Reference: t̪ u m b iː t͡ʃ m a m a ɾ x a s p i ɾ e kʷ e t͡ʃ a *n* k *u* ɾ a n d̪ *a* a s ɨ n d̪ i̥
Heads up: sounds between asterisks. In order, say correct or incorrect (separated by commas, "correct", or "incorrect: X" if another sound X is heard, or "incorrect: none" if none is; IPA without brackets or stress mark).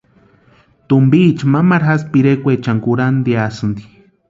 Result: incorrect: ŋ, correct, incorrect: i